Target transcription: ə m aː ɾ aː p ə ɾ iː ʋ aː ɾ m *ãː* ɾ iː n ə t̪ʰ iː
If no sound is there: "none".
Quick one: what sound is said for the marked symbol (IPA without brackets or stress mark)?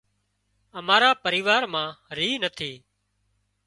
ãː